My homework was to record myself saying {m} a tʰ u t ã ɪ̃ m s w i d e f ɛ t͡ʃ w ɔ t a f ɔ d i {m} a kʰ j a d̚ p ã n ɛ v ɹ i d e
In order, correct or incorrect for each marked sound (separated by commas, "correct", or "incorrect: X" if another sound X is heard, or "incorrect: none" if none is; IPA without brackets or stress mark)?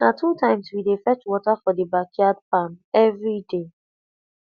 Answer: incorrect: n, incorrect: b